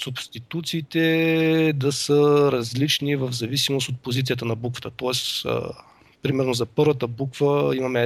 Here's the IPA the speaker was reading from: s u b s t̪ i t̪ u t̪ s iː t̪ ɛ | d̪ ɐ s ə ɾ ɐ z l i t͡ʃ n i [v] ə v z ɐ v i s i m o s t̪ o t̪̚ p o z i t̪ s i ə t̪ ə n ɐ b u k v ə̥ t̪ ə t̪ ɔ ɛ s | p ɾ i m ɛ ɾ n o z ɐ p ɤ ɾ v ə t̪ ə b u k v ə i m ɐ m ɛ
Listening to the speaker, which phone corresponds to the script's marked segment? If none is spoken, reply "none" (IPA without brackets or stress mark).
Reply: v